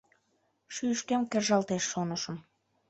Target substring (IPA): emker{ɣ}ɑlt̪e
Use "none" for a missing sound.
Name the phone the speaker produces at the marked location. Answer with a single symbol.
ʒ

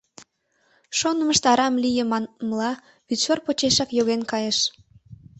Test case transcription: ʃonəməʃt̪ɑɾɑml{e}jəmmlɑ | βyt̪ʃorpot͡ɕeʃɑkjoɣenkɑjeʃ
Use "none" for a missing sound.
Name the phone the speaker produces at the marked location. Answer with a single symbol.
i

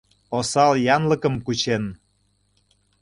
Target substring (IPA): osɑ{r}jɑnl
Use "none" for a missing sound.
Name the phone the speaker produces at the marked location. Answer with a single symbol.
l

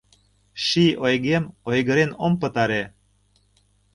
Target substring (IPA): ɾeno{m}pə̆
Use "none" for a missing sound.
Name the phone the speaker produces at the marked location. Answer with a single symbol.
m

